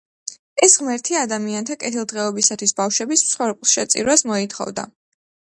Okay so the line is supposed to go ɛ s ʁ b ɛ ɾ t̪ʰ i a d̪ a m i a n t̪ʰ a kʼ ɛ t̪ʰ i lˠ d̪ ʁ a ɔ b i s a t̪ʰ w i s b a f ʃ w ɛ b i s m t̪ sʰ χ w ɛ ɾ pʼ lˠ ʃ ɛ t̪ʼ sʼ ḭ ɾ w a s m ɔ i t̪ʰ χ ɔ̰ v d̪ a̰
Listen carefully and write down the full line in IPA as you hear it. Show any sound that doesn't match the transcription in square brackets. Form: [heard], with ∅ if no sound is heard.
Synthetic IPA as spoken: ɛ s ʁ [m] ɛ ɾ t̪ʰ i a d̪ a m i a n t̪ʰ a kʼ ɛ t̪ʰ i lˠ d̪ ʁ [ɛ] ɔ b i s a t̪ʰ w i s b a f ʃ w ɛ b i s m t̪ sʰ χ w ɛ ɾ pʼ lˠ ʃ ɛ [t̪] sʼ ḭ ɾ w a s m ɔ i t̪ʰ χ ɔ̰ v d̪ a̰